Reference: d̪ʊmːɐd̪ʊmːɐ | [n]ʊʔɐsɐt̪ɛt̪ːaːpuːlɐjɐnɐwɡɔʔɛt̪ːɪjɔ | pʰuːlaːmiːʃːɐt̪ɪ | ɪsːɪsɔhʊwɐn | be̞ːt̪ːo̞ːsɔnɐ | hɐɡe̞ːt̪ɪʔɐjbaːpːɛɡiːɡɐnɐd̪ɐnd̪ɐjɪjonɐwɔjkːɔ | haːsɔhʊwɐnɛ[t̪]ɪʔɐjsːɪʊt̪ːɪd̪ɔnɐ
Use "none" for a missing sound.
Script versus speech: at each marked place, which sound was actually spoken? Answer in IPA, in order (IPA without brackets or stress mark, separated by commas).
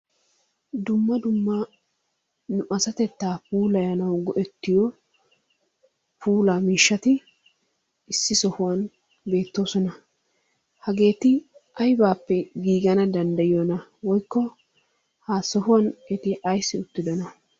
n, t̪